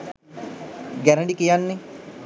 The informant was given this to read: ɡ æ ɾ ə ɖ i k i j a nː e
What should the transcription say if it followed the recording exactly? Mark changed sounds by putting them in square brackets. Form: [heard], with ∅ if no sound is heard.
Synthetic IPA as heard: ɡ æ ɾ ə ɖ i k i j a nː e